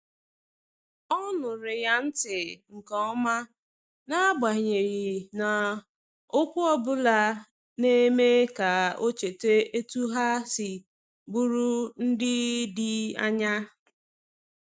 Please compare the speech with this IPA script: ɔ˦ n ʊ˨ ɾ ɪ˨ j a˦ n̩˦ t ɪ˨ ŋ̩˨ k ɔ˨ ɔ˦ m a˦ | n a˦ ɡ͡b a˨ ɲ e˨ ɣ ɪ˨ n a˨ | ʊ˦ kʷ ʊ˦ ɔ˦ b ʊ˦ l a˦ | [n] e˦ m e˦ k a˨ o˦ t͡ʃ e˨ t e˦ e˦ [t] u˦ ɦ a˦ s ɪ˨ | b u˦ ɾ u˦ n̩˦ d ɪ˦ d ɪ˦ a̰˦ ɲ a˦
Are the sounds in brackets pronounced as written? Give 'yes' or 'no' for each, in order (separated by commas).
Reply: yes, yes